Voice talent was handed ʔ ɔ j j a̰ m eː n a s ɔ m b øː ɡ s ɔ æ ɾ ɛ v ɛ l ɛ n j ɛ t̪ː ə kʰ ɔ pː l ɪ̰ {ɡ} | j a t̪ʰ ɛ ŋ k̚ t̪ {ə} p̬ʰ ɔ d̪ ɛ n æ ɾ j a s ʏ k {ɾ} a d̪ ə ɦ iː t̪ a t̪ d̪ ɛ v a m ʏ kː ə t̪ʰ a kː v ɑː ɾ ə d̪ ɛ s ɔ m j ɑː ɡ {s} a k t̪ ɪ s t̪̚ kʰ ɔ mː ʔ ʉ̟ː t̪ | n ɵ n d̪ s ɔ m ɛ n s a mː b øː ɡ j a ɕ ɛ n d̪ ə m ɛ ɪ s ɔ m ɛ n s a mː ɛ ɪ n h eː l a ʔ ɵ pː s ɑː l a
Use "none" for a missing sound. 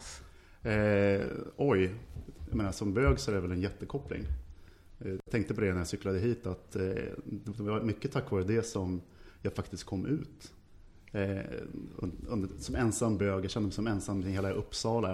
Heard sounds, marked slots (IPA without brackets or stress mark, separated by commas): ŋ, ə, l, f